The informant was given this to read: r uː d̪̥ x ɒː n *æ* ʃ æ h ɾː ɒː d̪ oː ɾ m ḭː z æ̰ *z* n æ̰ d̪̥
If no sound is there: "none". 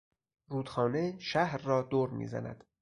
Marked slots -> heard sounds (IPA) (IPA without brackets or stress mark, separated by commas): e, none